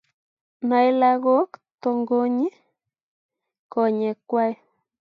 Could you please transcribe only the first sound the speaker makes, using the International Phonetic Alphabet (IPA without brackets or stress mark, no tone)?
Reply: n